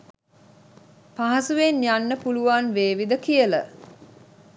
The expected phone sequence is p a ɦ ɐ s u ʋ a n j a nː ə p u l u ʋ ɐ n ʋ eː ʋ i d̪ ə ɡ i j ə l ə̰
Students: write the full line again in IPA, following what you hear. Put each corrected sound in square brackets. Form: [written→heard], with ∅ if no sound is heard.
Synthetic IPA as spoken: p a ɦ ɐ s u ʋ [a→e] n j a nː ə p u l u ʋ [ɐ→a] n ʋ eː ʋ i d̪ ə [ɡ→k] i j ə l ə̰